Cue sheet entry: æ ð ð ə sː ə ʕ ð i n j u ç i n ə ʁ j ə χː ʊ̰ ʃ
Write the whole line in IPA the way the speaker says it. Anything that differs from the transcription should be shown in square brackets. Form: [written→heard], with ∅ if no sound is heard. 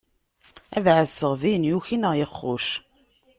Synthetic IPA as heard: æ ð [ð→ʕ] ə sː ə [ʕ→ʁ] ð i n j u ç i n ə ʁ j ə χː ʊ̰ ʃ